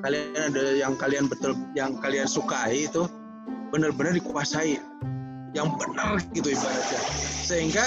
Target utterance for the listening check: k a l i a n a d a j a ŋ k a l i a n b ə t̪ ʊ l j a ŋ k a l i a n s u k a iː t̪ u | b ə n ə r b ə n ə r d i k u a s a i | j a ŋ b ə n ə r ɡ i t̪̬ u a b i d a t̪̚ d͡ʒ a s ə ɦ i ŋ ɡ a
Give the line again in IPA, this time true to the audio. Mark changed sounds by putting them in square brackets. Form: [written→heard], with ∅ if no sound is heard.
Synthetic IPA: k a l i a n a d a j a ŋ k a l i a n b ə t̪ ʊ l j a ŋ k a l i a n s u k a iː t̪ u | b ə n ə r b ə n ə r d i k u a s a i | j a ŋ b ə n ə r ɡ i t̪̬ u [a→i] b [i→a] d a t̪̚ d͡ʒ a s ə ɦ i ŋ ɡ a